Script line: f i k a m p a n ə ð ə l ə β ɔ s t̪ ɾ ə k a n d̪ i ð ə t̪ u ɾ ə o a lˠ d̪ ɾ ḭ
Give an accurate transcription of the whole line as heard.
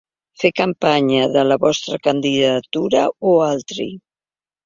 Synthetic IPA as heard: f e k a m p a ɲ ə ð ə l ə β ɔ s t̪ ɾ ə k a n d̪ i ð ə t̪ u ɾ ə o a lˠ t̪ ɾ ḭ